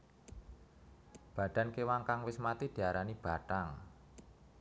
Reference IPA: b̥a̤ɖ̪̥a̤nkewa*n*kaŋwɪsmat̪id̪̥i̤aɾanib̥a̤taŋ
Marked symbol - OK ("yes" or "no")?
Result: no